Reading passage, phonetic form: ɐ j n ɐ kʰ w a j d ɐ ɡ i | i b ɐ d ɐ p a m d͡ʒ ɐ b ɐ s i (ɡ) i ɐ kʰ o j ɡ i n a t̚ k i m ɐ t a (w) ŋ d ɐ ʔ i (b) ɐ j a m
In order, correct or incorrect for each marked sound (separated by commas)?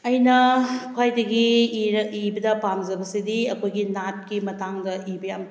incorrect, incorrect, correct